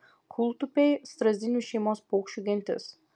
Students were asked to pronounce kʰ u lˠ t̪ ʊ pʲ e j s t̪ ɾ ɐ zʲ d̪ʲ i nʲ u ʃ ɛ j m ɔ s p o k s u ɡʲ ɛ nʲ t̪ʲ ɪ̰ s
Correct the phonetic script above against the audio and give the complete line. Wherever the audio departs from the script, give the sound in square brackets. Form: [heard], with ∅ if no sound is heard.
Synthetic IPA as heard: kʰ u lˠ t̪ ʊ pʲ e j s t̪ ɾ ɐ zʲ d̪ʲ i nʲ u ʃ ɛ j m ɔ s p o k [ʃ] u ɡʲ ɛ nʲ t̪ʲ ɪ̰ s